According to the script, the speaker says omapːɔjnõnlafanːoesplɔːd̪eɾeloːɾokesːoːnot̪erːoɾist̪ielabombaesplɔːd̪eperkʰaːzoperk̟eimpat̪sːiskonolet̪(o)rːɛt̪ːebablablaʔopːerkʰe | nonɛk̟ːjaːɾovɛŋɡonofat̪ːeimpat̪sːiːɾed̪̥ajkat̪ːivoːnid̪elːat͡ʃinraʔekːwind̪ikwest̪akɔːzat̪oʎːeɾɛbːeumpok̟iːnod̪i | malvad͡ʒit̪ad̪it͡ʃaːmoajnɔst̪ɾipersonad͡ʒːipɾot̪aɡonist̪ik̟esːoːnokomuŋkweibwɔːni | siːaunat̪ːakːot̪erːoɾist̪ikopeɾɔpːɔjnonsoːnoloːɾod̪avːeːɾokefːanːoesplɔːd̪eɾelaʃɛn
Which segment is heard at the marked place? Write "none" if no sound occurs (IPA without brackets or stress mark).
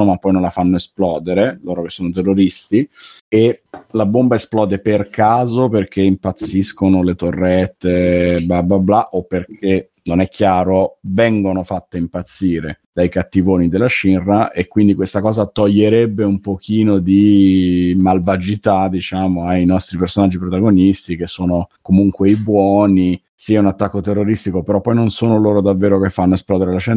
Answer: o